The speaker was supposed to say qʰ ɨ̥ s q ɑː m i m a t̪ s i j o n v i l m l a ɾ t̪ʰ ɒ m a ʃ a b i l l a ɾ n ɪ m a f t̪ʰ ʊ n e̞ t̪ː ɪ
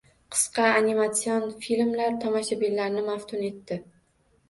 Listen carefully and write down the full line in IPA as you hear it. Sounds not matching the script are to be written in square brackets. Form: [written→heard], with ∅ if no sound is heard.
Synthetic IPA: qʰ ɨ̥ s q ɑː [m→n] i m a t̪ s i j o n [v→f] i l m l a ɾ t̪ʰ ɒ m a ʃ a b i l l a ɾ n ɪ m a f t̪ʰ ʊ n e̞ t̪ː ɪ